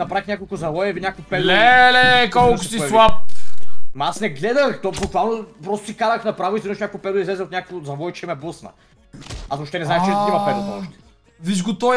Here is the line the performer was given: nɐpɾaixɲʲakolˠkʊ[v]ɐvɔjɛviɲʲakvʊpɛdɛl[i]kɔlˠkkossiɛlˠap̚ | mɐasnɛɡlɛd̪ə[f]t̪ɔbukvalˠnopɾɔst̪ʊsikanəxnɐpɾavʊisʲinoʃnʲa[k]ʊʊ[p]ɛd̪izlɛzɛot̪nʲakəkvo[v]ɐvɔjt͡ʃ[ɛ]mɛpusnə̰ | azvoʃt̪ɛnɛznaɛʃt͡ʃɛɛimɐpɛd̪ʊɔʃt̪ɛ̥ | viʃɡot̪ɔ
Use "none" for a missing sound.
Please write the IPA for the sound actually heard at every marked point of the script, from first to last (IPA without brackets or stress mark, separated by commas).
z, ɛ, x, k, p, z, ɛ